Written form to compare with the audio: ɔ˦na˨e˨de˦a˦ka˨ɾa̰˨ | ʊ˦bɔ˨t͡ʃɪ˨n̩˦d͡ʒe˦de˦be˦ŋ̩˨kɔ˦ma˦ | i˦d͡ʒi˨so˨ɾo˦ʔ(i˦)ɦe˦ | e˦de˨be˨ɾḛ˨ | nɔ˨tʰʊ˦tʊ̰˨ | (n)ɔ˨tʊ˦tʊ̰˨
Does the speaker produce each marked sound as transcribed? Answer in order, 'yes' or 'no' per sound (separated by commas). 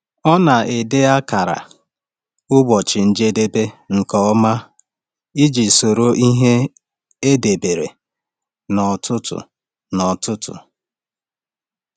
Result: yes, yes